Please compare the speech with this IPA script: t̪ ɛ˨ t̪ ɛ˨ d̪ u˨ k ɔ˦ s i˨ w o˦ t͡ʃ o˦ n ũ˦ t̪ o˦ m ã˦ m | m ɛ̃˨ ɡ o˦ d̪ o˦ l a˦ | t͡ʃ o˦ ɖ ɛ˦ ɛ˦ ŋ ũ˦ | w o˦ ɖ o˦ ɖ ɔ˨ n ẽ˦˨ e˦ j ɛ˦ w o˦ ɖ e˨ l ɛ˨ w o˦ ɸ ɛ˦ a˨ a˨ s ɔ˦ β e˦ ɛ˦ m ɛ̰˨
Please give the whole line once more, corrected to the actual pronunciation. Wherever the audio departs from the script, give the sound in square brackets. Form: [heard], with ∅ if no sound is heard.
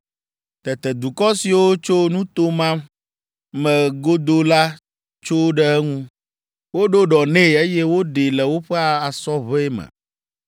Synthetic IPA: t̪ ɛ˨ t̪ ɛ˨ d̪ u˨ k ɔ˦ s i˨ w o˦ t͡ʃ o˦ n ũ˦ t̪ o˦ m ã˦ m | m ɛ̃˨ ɡ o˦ d̪ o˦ l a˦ | t͡ʃ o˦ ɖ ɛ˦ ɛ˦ ŋ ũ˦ | w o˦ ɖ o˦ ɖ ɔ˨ n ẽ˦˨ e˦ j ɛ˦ w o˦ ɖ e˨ l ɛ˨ w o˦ ɸ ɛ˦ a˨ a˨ s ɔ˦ β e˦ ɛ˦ m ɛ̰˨